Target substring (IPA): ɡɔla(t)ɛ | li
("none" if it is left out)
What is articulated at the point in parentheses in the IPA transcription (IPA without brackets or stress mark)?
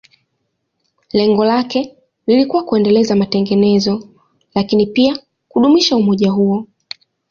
k